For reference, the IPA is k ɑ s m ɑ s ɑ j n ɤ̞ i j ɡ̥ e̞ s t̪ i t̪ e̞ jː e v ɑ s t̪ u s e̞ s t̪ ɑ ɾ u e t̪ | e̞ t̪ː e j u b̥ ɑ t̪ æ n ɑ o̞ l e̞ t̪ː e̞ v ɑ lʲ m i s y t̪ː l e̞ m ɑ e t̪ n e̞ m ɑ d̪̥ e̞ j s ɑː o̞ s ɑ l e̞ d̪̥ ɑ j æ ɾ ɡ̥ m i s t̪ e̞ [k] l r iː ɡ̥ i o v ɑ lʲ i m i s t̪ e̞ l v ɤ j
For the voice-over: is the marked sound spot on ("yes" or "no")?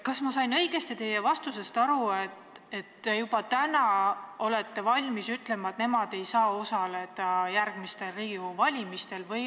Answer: no